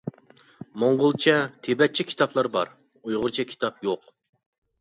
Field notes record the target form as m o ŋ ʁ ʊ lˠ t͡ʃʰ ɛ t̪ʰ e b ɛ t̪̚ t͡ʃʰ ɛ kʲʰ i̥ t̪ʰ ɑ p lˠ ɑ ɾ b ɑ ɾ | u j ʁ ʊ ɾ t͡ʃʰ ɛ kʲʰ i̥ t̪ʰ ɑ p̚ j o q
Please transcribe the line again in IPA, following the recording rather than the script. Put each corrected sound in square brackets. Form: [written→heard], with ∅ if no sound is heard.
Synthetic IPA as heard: m o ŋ ʁ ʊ lˠ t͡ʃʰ ɛ t̪ʰ e b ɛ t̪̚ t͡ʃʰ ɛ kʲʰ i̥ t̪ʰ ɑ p lˠ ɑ ɾ b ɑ ɾ | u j ʁ ʊ ɾ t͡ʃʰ ɛ kʲʰ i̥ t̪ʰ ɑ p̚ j o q